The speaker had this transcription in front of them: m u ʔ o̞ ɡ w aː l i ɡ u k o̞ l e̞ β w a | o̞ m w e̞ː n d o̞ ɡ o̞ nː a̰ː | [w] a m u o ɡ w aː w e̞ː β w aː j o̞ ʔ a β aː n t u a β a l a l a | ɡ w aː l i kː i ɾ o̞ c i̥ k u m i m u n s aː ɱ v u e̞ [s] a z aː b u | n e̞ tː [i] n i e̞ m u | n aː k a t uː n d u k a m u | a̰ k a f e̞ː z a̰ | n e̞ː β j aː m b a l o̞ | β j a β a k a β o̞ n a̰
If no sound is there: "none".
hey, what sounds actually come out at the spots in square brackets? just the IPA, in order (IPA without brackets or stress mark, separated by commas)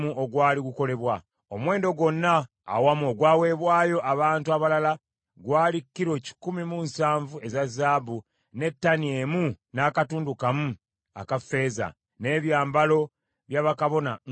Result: w, z, a